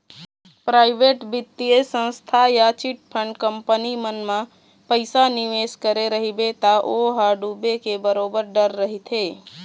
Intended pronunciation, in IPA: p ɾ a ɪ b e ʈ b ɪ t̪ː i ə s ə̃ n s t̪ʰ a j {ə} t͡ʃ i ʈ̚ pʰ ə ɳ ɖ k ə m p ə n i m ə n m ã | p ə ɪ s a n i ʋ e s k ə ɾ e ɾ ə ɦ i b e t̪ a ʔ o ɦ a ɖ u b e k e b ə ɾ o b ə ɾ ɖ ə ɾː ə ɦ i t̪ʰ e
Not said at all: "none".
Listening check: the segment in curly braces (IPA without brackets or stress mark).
a